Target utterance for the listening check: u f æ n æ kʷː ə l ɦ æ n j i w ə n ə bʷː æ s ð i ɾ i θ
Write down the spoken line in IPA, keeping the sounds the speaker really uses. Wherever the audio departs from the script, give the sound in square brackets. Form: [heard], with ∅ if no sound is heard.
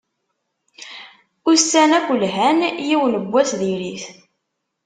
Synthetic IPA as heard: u [s] æ n æ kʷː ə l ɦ æ n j i w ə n ə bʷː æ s ð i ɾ i θ